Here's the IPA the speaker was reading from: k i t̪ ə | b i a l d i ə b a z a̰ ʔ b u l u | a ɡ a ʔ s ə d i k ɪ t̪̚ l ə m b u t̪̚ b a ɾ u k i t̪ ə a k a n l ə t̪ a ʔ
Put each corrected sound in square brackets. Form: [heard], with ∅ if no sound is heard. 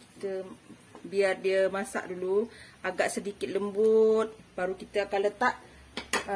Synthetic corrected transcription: k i t̪ ə | b i a [r] d i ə [m] a [s] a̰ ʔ [d] u l u | a ɡ a ʔ s ə d i k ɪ t̪̚ l ə m b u t̪̚ b a ɾ u k i t̪ ə a k a n l ə t̪ a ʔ